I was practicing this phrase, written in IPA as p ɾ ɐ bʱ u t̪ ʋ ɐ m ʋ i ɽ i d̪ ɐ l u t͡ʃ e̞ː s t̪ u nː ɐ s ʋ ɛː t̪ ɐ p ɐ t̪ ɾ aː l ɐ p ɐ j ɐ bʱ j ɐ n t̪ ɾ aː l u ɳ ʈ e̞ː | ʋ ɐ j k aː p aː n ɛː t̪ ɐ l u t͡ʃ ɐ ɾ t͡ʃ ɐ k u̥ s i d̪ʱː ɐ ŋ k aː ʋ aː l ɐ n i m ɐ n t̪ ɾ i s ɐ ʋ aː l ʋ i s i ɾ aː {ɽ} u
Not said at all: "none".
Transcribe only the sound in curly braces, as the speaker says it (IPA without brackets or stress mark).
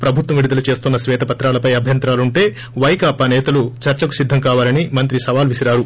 ɾ